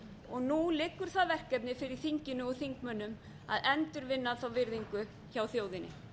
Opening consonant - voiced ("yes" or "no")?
yes